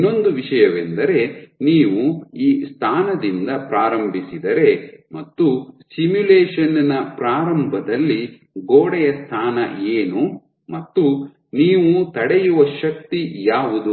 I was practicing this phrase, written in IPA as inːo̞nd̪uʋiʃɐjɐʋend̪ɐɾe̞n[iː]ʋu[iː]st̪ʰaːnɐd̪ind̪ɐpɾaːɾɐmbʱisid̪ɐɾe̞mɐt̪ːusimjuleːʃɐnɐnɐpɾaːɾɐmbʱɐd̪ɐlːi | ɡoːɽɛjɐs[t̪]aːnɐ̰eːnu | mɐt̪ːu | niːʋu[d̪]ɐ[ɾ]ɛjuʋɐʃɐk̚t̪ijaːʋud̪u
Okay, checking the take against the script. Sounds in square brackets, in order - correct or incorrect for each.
correct, correct, incorrect: t̪ʰ, incorrect: t̪, incorrect: ɽ

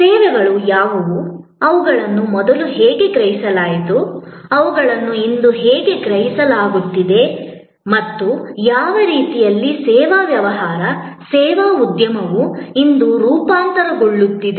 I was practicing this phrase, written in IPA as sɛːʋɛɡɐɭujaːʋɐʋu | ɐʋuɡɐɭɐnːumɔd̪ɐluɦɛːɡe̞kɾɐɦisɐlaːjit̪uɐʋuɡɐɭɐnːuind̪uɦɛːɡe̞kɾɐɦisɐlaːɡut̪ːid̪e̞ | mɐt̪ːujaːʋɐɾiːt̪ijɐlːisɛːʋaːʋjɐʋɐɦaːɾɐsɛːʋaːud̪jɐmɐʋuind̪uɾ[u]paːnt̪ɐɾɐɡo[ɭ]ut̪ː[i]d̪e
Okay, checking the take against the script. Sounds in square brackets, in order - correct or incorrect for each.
incorrect: uː, incorrect: ɭː, correct

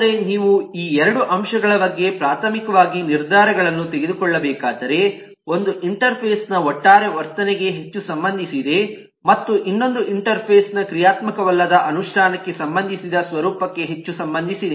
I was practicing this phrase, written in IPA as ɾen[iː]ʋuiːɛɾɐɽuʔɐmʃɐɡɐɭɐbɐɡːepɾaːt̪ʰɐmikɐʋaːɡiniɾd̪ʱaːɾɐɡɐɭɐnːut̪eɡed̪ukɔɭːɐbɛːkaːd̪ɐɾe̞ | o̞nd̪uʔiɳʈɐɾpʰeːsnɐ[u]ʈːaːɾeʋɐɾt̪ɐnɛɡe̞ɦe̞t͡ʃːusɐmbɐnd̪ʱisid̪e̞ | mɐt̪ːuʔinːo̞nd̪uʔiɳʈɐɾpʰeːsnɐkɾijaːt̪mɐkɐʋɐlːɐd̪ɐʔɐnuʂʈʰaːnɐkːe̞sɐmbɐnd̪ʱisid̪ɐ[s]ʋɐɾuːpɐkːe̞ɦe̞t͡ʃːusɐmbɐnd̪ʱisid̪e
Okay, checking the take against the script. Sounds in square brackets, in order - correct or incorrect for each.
correct, incorrect: ɔ, correct

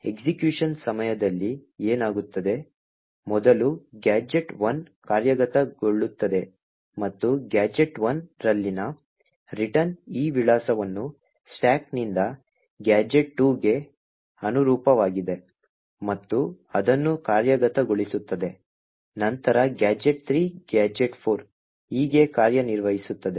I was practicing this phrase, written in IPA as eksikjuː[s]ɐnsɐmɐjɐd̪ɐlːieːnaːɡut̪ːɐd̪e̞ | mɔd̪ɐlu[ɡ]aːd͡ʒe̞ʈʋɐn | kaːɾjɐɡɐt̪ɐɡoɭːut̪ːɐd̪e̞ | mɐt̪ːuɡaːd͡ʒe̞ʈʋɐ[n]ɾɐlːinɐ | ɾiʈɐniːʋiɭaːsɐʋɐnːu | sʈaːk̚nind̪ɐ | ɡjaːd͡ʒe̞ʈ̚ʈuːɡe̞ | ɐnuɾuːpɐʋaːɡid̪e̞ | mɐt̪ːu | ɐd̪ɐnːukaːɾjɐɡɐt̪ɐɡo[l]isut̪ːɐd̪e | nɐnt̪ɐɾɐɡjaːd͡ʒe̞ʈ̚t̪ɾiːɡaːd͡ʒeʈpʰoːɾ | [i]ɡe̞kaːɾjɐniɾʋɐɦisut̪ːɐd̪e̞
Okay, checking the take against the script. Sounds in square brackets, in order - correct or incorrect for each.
incorrect: ʂ, correct, correct, incorrect: ɭ, incorrect: iː

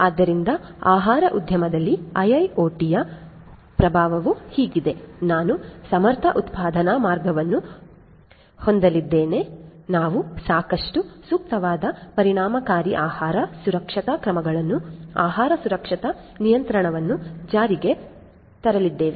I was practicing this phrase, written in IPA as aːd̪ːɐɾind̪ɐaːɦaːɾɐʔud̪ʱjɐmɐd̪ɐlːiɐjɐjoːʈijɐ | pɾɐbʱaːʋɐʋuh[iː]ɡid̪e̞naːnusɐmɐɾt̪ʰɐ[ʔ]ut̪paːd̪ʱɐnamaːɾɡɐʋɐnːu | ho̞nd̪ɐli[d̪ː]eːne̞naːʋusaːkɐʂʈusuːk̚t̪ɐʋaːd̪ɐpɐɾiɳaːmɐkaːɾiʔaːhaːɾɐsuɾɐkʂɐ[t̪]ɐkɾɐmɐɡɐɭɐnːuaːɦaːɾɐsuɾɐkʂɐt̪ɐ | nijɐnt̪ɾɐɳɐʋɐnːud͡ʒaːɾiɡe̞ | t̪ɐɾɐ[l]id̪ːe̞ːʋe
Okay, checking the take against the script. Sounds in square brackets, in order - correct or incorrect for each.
correct, correct, correct, correct, correct

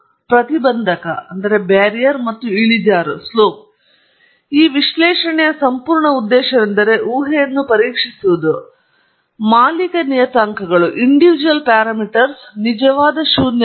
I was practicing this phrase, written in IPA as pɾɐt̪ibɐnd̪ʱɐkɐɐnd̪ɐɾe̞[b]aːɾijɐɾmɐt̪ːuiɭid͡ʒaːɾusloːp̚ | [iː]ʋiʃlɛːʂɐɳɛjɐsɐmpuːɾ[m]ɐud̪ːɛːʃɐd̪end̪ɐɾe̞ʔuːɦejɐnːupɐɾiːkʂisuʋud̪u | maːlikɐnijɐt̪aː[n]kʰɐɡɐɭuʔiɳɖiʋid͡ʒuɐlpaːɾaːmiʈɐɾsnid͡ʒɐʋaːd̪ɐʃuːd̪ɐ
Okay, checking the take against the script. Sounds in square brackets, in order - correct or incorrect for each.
correct, correct, incorrect: ɳ, incorrect: ŋ

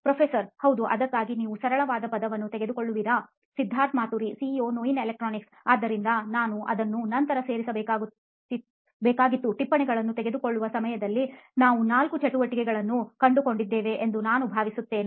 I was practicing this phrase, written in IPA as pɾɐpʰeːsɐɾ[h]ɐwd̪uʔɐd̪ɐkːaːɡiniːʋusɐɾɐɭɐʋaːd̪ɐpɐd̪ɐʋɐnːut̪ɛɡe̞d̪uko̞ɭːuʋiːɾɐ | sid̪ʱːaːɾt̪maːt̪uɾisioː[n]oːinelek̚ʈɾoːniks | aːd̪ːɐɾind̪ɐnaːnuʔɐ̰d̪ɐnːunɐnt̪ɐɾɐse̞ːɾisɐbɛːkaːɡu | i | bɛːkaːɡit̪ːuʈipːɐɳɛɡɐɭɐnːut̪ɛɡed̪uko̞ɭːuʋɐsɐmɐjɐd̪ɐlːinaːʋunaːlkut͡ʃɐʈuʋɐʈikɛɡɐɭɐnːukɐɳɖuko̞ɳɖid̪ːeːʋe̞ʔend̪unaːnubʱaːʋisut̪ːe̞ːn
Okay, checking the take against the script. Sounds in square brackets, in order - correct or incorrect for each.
correct, correct

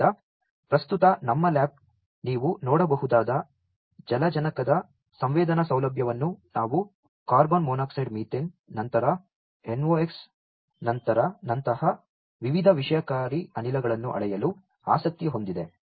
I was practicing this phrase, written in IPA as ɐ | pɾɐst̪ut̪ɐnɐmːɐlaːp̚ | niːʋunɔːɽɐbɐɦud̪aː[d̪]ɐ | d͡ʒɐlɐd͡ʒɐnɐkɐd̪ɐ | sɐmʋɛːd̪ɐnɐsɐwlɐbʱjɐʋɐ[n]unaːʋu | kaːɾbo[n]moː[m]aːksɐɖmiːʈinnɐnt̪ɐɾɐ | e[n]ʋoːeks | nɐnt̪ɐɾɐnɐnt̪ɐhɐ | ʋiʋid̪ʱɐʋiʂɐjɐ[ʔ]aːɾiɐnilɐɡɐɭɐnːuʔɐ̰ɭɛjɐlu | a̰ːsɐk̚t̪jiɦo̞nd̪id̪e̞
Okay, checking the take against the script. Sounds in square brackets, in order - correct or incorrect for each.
correct, incorrect: nː, correct, incorrect: n, correct, incorrect: k

